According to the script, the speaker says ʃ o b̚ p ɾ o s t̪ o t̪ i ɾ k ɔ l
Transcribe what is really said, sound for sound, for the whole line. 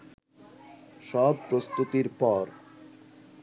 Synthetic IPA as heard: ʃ ɔ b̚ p ɾ o s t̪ u t̪ i ɾ p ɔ ɾ